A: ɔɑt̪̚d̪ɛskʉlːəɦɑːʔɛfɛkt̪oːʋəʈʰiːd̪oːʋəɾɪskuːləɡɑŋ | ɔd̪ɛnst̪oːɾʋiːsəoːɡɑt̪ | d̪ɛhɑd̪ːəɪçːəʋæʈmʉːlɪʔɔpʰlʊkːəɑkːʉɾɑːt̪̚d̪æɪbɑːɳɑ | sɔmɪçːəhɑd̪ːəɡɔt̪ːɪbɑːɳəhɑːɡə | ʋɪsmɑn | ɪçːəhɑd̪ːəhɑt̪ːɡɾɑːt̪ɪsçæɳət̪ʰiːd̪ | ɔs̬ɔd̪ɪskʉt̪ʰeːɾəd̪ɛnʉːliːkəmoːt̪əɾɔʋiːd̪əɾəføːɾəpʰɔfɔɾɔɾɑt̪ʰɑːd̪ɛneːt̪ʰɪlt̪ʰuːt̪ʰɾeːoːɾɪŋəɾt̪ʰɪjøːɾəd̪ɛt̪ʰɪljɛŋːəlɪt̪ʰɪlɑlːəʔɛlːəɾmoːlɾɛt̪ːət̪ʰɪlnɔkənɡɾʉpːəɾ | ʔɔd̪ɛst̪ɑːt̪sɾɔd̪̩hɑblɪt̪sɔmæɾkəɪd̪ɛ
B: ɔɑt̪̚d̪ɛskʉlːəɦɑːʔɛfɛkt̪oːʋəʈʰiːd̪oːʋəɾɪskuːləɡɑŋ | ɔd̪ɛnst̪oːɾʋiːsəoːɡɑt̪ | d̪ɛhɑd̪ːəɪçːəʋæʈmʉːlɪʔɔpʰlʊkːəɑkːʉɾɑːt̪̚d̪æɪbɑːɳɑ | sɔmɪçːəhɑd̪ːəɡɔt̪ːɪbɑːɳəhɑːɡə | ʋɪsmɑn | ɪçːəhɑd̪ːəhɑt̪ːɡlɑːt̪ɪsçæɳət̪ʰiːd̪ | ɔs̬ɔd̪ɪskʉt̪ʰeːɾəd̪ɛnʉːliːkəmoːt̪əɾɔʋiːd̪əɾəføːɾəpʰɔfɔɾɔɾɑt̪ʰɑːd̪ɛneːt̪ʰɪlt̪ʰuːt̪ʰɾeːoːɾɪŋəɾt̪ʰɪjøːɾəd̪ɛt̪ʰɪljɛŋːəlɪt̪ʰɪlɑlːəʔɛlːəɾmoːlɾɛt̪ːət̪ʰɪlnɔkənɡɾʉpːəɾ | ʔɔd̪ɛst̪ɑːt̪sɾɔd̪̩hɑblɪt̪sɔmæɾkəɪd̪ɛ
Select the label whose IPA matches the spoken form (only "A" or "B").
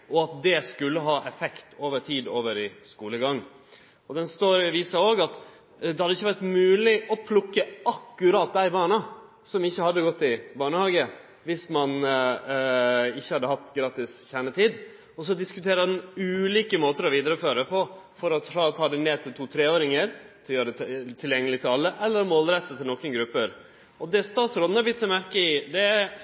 A